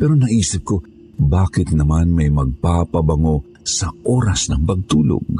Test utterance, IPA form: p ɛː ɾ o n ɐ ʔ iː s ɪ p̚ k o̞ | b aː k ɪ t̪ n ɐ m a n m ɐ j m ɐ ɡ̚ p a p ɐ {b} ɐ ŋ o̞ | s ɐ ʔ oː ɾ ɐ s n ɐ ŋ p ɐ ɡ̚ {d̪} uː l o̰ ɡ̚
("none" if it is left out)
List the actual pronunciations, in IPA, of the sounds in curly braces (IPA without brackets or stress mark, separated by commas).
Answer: b, t̪